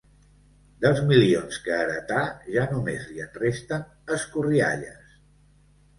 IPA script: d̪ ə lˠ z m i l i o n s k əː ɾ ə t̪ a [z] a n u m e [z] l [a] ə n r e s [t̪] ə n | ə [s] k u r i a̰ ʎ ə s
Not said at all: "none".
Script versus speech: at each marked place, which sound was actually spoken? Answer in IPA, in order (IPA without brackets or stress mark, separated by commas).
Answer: ʒ, z, i, t̪, s